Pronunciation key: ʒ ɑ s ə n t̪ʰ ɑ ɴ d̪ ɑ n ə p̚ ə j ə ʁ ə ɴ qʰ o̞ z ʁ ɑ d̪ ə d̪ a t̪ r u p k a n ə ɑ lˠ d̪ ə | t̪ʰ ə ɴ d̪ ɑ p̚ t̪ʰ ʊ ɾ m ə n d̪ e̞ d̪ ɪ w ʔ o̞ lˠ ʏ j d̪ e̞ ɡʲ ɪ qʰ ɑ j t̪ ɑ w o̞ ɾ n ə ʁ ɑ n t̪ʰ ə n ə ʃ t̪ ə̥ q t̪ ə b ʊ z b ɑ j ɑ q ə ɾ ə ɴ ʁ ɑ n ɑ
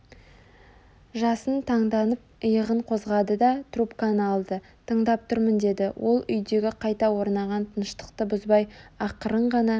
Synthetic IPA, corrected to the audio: ʒ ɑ s ə n t̪ʰ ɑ ɴ d̪ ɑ n ə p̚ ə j ə ʁ ə ɴ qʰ o̞ z ʁ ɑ d̪ ə d̪ ɑ t̪ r u p k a n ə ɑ lˠ d̪ ə | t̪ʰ ə ɴ d̪ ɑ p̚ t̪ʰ ʊ ɾ m ə n d̪ e̞ d̪ ɪ w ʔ o̞ lˠ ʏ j d̪ e̞ ɡʲ ɪ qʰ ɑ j t̪ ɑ w o̞ ɾ n ɑ ʁ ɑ n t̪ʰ ə n ə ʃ t̪ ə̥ q t̪ ə b ʊ z b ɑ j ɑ q ə ɾ ə ɴ ʁ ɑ n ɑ